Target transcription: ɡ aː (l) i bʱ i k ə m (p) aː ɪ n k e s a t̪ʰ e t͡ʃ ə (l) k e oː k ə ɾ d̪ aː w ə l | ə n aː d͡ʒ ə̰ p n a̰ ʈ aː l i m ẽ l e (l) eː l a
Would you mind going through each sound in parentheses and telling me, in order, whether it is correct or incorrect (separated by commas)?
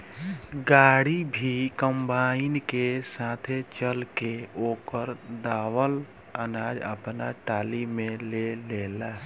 incorrect, incorrect, correct, correct